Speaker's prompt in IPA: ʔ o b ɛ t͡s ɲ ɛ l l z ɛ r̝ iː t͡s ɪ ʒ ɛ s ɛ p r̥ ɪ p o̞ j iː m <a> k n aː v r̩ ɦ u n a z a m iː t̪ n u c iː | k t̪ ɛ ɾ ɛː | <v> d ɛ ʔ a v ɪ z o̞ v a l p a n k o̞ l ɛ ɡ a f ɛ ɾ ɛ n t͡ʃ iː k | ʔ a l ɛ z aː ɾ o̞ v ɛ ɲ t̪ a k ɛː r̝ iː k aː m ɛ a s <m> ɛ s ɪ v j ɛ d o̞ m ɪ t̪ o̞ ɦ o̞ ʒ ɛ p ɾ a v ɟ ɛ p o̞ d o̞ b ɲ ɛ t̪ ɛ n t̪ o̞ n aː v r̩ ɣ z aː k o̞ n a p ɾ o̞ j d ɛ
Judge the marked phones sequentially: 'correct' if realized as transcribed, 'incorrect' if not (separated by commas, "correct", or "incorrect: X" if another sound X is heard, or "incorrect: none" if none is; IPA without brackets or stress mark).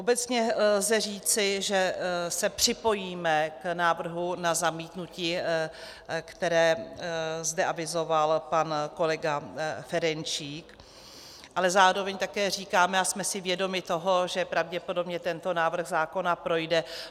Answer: incorrect: ɛ, incorrect: z, correct